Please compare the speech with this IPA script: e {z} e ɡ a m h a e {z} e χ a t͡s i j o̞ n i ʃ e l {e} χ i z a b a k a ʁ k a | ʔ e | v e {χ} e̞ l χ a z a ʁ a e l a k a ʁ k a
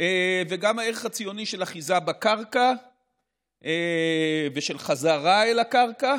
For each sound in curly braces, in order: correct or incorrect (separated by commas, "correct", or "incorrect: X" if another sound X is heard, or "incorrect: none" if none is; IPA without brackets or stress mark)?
incorrect: v, incorrect: ʁ, incorrect: a, incorrect: ʃ